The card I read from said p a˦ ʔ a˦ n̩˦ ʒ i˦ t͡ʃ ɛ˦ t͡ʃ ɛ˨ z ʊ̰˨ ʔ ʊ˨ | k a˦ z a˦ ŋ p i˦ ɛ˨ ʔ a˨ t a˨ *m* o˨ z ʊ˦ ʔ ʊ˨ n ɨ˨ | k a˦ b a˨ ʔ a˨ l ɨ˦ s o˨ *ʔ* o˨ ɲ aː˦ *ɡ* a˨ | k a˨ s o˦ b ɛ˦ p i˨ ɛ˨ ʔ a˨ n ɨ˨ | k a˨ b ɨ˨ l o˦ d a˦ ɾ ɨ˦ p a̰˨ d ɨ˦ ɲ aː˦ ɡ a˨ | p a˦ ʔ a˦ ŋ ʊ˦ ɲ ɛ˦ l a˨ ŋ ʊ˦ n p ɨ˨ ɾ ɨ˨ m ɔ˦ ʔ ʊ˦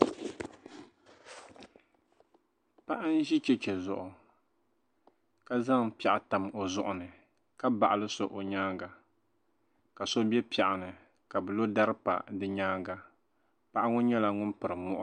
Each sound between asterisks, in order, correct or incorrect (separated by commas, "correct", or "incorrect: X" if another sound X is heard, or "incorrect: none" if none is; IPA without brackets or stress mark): correct, correct, correct